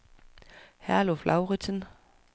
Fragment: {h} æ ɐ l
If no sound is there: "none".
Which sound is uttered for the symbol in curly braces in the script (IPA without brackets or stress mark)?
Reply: h